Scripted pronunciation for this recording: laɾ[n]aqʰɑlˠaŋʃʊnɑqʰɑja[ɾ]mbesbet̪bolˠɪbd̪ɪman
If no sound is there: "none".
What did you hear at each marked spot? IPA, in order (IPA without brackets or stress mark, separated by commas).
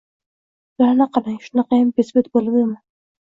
n, none